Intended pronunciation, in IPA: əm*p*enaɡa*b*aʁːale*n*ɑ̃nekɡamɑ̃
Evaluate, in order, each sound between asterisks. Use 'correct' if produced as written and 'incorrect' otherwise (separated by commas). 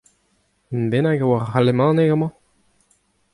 incorrect, incorrect, incorrect